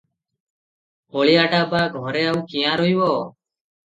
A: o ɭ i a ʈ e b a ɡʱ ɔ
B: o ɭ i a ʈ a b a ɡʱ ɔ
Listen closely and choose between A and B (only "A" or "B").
B